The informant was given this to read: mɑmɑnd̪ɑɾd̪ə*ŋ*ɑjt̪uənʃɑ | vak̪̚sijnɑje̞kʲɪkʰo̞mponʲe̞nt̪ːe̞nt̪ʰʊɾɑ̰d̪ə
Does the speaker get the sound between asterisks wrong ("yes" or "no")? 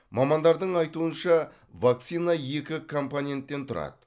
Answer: yes